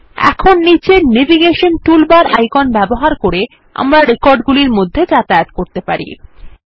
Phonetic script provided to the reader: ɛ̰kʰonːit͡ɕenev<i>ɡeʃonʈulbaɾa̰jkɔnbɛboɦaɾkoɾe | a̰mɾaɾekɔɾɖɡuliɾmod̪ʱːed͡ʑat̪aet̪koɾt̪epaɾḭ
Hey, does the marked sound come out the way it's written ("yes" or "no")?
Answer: yes